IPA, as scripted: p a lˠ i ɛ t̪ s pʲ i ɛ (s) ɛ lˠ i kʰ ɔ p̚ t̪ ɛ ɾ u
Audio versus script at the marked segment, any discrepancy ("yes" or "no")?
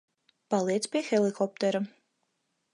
yes